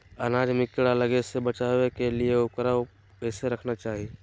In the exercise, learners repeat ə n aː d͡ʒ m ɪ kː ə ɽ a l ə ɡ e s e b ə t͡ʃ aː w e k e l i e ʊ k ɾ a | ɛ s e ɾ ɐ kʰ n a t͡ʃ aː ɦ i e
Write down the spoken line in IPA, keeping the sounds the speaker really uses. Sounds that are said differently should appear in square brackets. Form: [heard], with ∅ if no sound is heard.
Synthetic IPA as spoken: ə n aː d͡ʒ m ɪ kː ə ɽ a l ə ɡ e s e b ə t͡ʃ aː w e k e l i e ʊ k ɾ a | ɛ s e ɾ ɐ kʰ n a t͡ʃ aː ɦ i e